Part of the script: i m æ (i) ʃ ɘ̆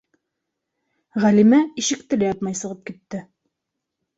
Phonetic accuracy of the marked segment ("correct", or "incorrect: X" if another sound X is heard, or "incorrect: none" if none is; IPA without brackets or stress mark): correct